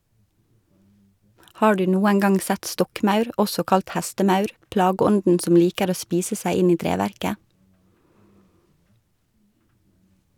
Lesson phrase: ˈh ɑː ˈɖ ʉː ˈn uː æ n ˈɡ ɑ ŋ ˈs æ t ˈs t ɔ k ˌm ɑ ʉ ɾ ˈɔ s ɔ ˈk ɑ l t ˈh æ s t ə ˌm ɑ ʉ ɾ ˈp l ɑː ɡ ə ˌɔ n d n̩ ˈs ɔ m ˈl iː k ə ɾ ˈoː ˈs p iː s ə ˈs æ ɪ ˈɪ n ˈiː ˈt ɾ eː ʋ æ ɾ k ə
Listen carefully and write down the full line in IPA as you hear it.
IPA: ˈh ɑː ˈɖ ʉː ˈn uː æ n ˈɡ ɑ ŋ ˈs æ t ˈs t ɔ k ˌm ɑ ʉ ɾ ˈɔ s ɔ ˈk ɑ l t ˈh æ s t ə ˌm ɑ ʉ ɾ ˈp l ɑː ɡ ə ˌɔ n d n̩ ˈs ɔ m ˈl iː k ə ɾ ˈoː ˈs p iː s ə ˈs æ ɪ ˈɪ n ˈiː ˈt ɾ eː ʋ æ ɾ k ə